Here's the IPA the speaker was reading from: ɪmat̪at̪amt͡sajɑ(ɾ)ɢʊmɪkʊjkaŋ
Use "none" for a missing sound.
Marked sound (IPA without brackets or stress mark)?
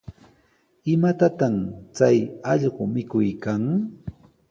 ʎ